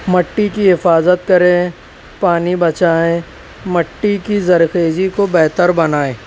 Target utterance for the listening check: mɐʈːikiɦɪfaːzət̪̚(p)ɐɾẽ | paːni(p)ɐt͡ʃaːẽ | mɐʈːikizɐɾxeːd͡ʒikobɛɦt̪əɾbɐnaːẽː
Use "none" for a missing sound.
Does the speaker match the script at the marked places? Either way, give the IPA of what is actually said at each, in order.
k, b

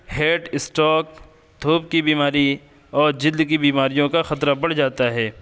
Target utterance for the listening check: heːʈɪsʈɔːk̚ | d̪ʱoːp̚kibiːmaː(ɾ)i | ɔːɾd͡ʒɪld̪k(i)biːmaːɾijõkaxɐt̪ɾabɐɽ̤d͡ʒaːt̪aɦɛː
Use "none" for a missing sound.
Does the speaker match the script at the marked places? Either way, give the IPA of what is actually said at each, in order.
ɾ, i

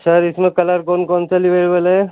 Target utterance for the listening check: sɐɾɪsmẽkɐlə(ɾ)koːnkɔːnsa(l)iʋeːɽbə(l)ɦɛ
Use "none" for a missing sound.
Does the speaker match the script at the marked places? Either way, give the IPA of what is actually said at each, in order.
ɾ, l, l

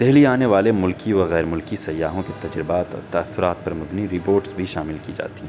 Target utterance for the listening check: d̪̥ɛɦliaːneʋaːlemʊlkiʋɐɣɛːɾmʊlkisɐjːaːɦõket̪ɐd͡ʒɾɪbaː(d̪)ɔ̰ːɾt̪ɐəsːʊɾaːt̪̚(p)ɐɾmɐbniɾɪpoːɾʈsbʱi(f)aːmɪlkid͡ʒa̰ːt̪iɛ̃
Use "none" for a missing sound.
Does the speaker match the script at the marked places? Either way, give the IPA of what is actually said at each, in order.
t̪, p, ʃ

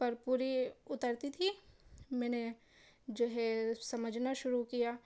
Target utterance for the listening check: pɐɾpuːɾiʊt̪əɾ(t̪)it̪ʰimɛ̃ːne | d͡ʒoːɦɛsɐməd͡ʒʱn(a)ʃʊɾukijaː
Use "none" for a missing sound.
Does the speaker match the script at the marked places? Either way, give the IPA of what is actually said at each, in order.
t̪, a

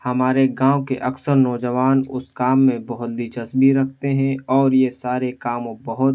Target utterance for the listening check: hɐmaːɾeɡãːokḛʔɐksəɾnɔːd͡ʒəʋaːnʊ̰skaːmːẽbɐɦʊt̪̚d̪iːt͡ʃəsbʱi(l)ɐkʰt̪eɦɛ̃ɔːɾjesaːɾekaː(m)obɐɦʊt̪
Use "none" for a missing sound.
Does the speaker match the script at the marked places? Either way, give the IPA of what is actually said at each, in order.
ɾ, m

